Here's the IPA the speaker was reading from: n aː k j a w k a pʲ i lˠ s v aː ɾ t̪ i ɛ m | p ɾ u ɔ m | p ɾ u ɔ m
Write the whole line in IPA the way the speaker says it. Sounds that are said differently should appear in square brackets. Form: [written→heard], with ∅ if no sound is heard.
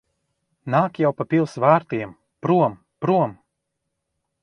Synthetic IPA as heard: n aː k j a w [k→p] a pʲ i lˠ s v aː ɾ t̪ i ɛ m | p ɾ u ɔ m | p ɾ u ɔ m

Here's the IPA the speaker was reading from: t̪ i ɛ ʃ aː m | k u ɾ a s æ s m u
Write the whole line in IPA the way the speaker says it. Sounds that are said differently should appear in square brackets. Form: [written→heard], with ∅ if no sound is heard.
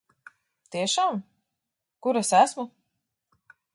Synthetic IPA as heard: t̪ i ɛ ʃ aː m | k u ɾ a s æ s m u

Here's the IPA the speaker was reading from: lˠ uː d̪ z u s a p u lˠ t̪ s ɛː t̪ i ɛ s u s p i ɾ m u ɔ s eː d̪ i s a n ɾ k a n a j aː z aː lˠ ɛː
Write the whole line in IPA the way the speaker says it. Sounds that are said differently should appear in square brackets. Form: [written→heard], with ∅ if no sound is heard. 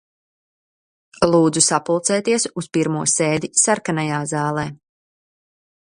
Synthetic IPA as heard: lˠ uː d̪ z u s a p u lˠ t̪ s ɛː t̪ i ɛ s u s p i ɾ m u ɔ s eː d̪ i s a [n→∅] ɾ k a n a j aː z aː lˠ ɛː

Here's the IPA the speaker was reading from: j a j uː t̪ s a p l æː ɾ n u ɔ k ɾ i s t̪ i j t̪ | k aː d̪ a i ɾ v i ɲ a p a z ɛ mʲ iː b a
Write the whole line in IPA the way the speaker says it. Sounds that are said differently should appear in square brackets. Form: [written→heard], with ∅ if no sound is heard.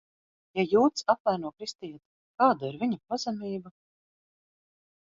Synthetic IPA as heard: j a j uː t̪ s a p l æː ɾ n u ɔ k ɾ i s t̪ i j t̪ | k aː d̪ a i ɾ v i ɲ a p a z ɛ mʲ iː b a

